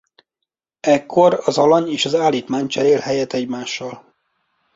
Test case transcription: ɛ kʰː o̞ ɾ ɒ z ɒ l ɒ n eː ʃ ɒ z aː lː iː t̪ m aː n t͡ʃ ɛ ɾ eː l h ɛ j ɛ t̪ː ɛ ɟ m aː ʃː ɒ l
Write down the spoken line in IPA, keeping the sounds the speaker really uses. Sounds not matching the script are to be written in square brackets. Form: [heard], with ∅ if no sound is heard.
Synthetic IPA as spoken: ɛ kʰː o̞ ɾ ɒ z ɒ l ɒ [ɲ] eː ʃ ɒ z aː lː iː t̪ m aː [ɲ] t͡ʃ ɛ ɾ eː l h ɛ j ɛ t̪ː ɛ ɟ m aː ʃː ɒ l